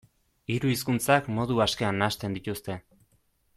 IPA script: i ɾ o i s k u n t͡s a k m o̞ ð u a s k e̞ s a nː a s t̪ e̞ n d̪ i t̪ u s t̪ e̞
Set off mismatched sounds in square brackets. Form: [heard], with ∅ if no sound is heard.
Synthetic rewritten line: i ɾ [u] i s k u n t͡s a k m o̞ ð u a s k e̞ [∅] a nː a s t̪ e̞ n d̪ i t̪ u s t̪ e̞